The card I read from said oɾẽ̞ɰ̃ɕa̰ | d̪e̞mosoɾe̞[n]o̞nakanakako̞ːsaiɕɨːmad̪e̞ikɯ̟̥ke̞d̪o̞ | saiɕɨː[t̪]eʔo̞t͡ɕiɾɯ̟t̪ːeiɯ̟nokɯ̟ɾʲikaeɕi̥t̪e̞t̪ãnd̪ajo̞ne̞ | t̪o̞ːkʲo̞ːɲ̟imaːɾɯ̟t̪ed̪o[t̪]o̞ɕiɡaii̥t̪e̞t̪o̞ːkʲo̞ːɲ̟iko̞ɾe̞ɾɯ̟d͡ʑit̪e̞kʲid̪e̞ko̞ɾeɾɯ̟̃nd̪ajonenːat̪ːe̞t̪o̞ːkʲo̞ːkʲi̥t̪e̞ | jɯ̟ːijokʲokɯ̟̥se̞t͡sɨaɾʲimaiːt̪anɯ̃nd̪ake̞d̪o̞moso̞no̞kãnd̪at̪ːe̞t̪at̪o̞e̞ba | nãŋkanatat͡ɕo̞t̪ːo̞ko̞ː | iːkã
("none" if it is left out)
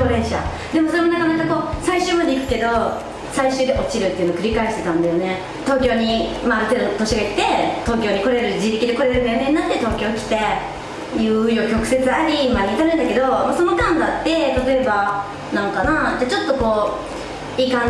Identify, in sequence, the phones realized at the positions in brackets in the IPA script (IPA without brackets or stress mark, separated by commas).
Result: m, d̪, t̪